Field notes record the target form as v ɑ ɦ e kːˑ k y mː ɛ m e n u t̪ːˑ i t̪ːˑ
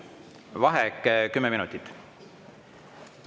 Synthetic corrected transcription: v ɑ ɦ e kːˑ k y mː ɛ m i n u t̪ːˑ i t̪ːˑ